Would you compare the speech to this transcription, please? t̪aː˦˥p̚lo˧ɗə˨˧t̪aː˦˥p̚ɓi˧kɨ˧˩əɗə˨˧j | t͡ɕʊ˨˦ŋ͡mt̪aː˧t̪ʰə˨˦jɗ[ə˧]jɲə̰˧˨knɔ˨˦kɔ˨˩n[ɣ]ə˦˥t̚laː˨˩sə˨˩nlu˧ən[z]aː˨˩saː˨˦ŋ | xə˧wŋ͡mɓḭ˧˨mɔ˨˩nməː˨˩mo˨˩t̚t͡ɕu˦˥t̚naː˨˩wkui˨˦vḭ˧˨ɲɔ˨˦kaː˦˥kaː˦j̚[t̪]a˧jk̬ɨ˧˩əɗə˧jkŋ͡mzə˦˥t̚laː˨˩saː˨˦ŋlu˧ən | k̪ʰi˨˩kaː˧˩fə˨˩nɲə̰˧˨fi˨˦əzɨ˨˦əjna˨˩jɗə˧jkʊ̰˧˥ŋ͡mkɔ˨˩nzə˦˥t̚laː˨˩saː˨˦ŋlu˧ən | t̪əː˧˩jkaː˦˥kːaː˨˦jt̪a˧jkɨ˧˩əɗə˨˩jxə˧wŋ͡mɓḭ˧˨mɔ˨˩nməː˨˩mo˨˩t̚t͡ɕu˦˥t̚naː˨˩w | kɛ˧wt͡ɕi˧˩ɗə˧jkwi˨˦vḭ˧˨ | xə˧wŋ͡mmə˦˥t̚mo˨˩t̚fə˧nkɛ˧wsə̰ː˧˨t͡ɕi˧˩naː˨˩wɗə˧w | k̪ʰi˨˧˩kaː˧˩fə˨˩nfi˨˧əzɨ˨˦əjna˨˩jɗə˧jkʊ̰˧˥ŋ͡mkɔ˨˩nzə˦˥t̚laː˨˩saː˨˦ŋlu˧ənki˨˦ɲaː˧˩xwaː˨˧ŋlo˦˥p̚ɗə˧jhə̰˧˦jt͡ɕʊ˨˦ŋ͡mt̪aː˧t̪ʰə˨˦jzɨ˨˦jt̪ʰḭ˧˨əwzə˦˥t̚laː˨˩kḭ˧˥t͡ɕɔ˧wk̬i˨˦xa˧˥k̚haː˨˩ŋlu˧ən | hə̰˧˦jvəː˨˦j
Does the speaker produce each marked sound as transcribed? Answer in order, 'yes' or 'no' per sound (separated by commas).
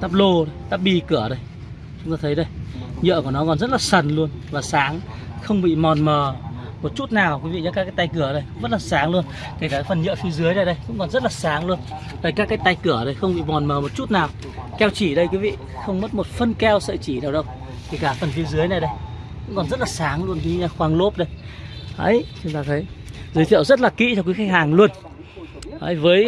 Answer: yes, no, no, yes